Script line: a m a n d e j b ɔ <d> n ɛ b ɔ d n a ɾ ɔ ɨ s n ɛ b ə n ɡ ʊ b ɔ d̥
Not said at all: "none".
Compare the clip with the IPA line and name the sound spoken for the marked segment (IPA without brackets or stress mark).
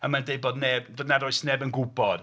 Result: d